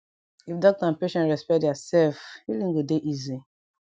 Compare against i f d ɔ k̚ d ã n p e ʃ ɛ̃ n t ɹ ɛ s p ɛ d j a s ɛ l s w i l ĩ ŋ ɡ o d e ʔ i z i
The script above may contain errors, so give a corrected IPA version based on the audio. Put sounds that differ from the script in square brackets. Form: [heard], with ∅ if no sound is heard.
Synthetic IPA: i f d ɔ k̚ [t] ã n p e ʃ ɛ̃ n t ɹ ɛ s p ɛ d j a s ɛ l [f] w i l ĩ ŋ ɡ o d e ʔ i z i